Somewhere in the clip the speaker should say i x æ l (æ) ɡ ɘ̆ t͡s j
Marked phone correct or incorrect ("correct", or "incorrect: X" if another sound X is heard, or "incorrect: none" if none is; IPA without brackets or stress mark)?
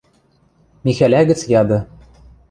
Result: correct